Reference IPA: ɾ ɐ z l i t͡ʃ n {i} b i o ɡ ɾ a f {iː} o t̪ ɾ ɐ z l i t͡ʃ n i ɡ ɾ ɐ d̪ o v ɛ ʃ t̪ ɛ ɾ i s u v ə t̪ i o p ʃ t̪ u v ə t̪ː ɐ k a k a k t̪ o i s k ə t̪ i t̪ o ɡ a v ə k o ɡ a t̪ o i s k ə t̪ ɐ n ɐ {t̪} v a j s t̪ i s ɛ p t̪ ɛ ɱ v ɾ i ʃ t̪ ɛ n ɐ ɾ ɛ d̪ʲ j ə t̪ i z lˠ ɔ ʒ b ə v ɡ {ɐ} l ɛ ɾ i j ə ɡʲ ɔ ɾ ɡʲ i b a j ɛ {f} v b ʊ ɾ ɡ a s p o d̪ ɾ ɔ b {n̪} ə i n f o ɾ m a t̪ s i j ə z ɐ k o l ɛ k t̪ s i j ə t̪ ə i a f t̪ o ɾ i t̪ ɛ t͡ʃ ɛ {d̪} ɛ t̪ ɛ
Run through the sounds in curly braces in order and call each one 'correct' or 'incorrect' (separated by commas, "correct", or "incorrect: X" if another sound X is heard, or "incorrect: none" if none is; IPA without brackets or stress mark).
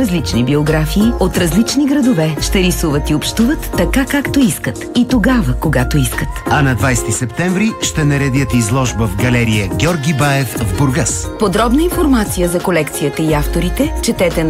correct, correct, incorrect: d̪, correct, correct, correct, incorrect: t̪